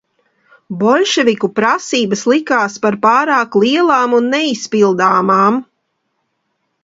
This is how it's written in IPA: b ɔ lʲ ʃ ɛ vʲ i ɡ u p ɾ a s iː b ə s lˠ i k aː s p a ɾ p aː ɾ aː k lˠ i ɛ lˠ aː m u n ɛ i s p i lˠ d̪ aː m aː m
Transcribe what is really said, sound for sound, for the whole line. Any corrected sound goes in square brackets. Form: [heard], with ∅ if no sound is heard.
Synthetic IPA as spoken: b ɔ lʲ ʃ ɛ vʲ i [k] u p ɾ a s iː b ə s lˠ i k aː s p a ɾ p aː ɾ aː k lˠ i ɛ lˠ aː m u [nː] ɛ i s p i lˠ d̪ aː m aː m